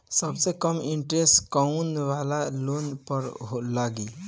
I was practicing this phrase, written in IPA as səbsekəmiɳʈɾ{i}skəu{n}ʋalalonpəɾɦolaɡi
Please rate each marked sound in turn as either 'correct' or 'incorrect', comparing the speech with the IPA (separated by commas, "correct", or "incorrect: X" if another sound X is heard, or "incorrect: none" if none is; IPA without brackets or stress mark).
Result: incorrect: e, correct